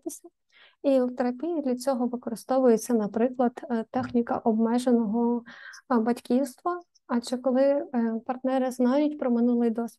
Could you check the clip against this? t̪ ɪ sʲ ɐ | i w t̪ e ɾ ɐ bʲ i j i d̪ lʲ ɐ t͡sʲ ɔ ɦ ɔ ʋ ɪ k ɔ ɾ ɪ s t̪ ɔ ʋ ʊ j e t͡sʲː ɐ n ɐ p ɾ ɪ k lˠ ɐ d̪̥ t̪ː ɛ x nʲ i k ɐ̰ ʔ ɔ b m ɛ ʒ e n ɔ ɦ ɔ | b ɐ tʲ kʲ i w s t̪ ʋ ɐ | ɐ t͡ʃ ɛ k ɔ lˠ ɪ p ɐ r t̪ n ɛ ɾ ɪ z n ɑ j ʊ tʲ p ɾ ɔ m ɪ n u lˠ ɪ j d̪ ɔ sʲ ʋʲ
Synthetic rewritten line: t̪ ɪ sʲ ɐ | i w t̪ e ɾ ɐ pʲ i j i d̪ lʲ ɐ t͡sʲ ɔ ɦ ɔ ʋ ɪ k ɔ ɾ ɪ s t̪ ɔ ʋ ʊ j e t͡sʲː ɐ n ɐ p ɾ ɪ k lˠ ɐ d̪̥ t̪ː ɛ x nʲ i k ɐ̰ ʔ ɔ b m ɛ ʒ e n ɔ ɦ ɔ | b ɐ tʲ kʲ i w s t̪ ʋ ɐ | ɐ t͡ʃ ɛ k ɔ lˠ ɪ p ɐ r t̪ n ɛ ɾ ɪ z n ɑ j ʊ tʲ p ɾ ɔ m ɪ n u lˠ ɪ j d̪ ɔ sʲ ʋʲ